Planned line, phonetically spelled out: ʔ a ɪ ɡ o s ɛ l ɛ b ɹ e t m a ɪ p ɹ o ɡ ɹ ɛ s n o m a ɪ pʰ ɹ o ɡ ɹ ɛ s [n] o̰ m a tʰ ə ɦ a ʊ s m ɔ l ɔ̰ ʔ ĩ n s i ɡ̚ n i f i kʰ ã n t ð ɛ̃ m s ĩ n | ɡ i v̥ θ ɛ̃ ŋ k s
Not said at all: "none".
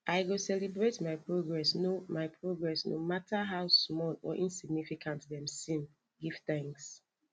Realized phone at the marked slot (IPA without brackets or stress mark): n